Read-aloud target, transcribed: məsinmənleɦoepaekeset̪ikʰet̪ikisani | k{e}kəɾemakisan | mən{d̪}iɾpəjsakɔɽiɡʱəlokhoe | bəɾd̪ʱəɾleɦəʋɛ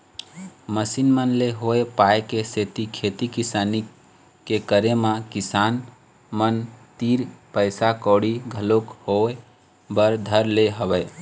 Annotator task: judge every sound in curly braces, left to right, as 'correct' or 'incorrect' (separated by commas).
correct, incorrect